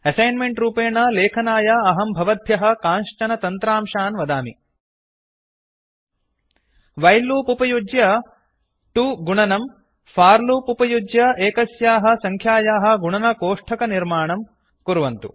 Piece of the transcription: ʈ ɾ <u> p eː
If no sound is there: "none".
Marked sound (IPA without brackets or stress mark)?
uː